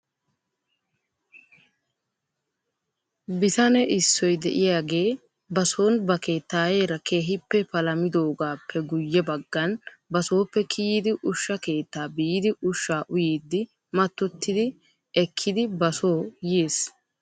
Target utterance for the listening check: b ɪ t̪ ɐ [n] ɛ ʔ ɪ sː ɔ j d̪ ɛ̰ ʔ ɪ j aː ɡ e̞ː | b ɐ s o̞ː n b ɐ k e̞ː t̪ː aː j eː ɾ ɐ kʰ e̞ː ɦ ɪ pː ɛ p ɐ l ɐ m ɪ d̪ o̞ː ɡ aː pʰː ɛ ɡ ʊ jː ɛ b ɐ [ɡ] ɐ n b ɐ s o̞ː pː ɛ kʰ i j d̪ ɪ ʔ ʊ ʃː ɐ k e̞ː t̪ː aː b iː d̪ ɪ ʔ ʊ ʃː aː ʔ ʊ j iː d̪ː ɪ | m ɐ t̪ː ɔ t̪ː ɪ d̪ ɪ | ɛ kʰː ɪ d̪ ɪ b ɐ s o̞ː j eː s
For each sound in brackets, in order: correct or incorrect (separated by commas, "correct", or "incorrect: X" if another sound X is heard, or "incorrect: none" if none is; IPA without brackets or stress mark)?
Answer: correct, incorrect: ɡː